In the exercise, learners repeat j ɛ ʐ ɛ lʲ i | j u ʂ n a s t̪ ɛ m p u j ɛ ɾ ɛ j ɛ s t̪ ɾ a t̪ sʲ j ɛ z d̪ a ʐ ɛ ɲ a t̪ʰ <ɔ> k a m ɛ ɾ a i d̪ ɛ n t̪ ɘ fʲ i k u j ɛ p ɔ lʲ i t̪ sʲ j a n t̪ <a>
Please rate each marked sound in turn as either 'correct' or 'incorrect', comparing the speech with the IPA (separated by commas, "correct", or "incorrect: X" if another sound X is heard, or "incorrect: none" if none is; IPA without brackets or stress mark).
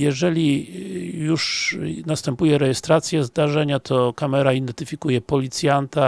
correct, correct